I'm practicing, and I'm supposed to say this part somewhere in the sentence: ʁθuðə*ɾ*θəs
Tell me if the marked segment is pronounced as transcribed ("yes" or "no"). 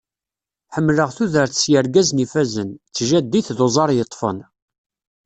yes